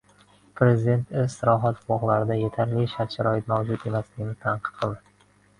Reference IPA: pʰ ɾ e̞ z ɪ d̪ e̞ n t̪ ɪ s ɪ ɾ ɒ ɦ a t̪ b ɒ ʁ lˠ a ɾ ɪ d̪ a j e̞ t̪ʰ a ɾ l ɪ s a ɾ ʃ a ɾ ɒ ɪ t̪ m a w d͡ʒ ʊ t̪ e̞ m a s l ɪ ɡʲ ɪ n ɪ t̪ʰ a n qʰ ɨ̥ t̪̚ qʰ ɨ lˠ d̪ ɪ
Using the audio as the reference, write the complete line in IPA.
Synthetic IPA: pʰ ɾ e̞ z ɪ d̪ e̞ n t̪ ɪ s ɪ ɾ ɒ ɦ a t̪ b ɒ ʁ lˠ a ɾ ɪ d̪ a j e̞ t̪ʰ a ɾ l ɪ ʃ a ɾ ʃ a ɾ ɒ ɪ t̪ m a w d͡ʒ ʊ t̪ e̞ m a s l ɪ ɡʲ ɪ n ɪ t̪ʰ a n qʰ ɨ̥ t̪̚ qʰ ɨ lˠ d̪ ɪ